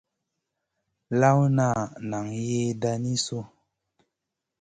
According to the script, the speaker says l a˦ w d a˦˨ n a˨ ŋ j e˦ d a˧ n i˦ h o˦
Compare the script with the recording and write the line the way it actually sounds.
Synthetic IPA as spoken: l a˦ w n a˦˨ n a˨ ŋ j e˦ d a˧ n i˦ s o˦